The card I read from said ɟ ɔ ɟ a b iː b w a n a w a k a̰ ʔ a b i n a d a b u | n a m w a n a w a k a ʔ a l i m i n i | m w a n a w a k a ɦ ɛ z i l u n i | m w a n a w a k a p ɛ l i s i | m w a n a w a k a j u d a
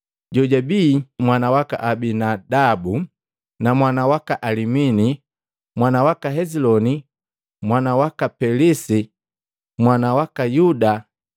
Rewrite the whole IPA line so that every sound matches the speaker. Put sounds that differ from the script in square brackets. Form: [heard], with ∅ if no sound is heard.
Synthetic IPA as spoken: ɟ ɔ ɟ a b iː [m] w a n a w a k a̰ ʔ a b i n a d a b u | n a m w a n a w a k a ʔ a l i m i n i | m w a n a w a k a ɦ ɛ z i l [ɔ] n i | m w a n a w a k a p ɛ l i s i | m w a n a w a k a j u d a